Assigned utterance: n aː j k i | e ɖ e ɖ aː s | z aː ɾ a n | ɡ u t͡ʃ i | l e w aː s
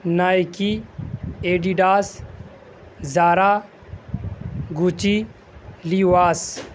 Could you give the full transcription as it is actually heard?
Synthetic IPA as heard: n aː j k i | e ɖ i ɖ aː s | z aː ɾ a | ɡ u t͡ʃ i | l i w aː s